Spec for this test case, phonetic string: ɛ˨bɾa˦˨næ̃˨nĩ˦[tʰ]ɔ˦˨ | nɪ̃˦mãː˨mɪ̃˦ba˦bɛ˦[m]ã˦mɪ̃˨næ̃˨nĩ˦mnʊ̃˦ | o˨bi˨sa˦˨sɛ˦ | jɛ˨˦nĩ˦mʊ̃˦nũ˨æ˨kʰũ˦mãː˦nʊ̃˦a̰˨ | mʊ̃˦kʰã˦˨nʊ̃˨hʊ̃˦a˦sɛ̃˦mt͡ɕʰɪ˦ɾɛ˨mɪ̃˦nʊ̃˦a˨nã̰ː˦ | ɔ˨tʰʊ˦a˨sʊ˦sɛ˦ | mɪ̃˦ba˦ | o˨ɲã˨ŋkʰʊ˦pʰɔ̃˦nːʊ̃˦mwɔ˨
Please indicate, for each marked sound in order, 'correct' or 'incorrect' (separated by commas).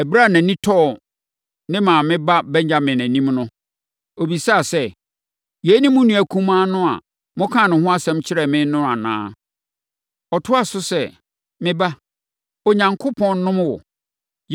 correct, incorrect